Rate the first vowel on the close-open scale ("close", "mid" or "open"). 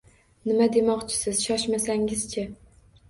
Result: close